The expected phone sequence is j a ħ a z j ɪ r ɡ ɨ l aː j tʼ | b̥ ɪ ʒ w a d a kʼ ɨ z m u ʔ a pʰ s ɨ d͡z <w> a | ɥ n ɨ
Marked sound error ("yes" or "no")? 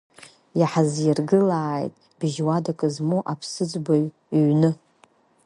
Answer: yes